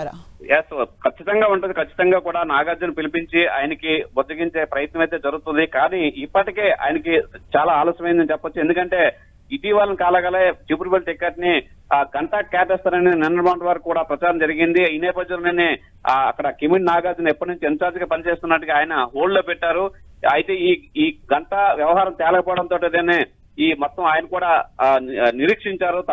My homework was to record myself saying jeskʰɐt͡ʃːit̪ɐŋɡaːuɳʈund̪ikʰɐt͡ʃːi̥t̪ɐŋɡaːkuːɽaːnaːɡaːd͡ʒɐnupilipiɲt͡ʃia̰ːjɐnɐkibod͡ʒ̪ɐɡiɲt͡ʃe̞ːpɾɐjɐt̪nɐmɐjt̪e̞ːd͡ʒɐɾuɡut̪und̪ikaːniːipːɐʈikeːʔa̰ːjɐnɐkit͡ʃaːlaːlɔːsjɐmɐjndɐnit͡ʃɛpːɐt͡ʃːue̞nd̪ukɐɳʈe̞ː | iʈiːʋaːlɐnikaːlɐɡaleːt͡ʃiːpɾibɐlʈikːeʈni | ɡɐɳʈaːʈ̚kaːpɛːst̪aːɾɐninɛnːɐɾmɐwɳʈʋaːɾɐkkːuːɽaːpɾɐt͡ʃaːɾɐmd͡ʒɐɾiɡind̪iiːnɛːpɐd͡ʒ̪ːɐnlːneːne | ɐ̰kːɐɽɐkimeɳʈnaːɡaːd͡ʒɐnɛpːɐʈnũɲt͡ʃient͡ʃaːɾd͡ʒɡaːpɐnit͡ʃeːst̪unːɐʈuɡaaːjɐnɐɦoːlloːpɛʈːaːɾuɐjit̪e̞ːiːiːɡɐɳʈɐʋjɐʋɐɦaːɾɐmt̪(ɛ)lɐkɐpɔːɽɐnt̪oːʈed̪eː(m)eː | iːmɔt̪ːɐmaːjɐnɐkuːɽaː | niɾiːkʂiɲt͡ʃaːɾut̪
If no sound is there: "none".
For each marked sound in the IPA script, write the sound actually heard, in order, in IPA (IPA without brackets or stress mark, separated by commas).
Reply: ɛː, n